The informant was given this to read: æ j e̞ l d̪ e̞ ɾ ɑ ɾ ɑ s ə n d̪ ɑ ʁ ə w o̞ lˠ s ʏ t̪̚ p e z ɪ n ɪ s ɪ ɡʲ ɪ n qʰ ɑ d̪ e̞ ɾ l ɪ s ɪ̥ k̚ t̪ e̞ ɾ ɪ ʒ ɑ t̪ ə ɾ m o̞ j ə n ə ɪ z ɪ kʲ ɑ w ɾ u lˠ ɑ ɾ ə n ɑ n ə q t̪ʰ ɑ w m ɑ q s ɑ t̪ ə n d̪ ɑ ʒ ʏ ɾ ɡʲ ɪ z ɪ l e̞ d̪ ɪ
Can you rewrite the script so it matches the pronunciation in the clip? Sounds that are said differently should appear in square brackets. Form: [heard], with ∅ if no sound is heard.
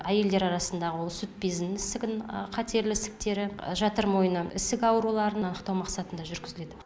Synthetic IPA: æ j e̞ l d̪ e̞ ɾ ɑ ɾ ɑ s ə n d̪ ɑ ʁ ə w o̞ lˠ s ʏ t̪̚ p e z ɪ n ɪ s ɪ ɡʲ ɪ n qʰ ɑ [t̪] e̞ ɾ l ɪ s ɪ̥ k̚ t̪ e̞ ɾ ɪ ʒ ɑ t̪ ə ɾ m o̞ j ə n ə ɪ [s] ɪ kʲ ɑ w ɾ u lˠ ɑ ɾ ə n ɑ n ə q [t̪] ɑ w m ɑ q s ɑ t̪ ə n d̪ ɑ ʒ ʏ ɾ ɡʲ ɪ z ɪ l e̞ d̪ ɪ

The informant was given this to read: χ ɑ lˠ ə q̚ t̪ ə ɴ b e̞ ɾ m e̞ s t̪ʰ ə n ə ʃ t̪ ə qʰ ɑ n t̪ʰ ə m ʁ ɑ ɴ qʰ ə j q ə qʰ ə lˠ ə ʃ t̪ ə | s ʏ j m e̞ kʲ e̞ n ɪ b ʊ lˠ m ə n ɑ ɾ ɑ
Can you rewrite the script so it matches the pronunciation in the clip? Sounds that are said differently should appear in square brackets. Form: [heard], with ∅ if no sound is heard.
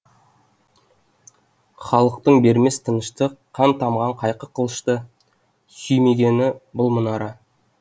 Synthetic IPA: χ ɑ lˠ ə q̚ t̪ ə ɴ b e̞ ɾ m e̞ s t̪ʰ ə n ə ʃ t̪ ə qʰ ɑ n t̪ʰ [ɑ] m ʁ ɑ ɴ qʰ [ɑ] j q ə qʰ ə lˠ ə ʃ t̪ ə | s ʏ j m e̞ [ɡʲ] e̞ n ɪ b ʊ lˠ m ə n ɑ ɾ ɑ

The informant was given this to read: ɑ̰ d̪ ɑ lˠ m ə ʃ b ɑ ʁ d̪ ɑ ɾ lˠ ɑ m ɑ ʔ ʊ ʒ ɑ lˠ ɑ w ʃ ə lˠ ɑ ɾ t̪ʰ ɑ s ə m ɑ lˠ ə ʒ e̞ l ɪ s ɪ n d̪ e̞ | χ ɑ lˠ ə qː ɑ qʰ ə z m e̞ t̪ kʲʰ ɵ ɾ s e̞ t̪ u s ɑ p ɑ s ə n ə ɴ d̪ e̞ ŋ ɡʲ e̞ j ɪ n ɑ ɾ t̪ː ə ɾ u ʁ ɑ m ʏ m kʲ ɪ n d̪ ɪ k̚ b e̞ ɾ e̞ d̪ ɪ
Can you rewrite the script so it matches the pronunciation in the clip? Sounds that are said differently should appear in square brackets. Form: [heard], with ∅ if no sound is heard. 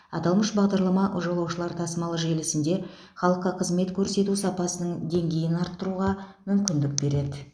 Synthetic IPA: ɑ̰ [t̪] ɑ lˠ m ə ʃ b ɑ ʁ d̪ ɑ ɾ lˠ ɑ m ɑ ʔ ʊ ʒ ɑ lˠ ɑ w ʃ ə lˠ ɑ ɾ t̪ʰ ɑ s ə m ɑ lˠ ə ʒ e̞ l ɪ s ɪ n d̪ e̞ | χ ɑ lˠ ə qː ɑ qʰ ə z m e̞ t̪ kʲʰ ɵ ɾ s e̞ t̪ u s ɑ p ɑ s ə n ə ɴ d̪ e̞ ŋ ɡʲ e̞ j ɪ n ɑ ɾ t̪ː ə ɾ u ʁ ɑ m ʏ m kʲ ɪ n d̪ ɪ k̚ b e̞ ɾ e̞ d̪ ɪ

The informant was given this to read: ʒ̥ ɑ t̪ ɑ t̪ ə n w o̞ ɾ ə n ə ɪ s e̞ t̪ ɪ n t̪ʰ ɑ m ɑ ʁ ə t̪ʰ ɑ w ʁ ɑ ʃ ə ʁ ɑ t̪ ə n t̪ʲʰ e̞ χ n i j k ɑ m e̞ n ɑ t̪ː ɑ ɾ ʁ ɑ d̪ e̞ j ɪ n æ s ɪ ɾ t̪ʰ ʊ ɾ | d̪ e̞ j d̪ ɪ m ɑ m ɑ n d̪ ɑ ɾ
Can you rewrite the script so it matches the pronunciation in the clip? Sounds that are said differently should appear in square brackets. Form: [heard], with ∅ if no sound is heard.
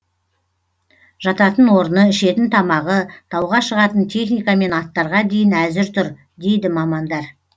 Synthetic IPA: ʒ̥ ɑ t̪ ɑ t̪ ə n w o̞ ɾ ə n ə ɪ [ʃ] e̞ t̪ ɪ n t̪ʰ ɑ m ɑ ʁ ə t̪ʰ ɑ w ʁ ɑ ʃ ə ʁ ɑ t̪ ə n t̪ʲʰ e̞ χ n i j k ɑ m e̞ n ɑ t̪ː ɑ ɾ ʁ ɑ d̪ e̞ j ɪ n æ [z] ɪ ɾ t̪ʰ ʊ ɾ | d̪ e̞ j d̪ ɪ m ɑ m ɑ n d̪ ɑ ɾ

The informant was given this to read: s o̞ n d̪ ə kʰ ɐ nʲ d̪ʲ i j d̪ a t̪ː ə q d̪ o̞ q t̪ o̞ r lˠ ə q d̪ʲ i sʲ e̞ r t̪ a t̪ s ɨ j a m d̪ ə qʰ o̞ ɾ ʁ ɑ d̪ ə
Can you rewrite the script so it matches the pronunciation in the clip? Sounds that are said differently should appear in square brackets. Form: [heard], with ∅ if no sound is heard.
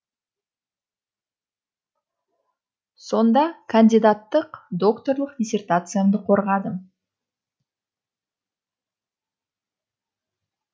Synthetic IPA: s o̞ n d̪ [ɑ] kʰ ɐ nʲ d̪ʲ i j d̪ a t̪ː ə q d̪ o̞ [k] t̪ o̞ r lˠ ə q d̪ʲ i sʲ e̞ r t̪ a t̪ s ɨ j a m d̪ ə qʰ o̞ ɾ ʁ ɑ d̪ ə

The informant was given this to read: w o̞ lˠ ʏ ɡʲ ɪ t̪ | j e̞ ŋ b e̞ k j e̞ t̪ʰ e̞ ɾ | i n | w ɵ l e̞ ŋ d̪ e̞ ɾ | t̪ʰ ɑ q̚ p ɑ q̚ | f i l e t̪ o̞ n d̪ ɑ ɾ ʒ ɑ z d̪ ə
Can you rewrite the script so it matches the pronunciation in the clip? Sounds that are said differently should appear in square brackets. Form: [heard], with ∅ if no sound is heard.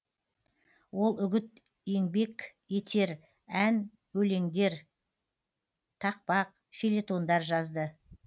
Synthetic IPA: w o̞ lˠ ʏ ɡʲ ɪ t̪ | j e̞ ŋ b e̞ k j e̞ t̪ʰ e̞ ɾ | [æ] n | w ɵ l e̞ ŋ d̪ e̞ ɾ | t̪ʰ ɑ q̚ p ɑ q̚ | f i l e t̪ o̞ n d̪ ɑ ɾ ʒ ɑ z d̪ ə

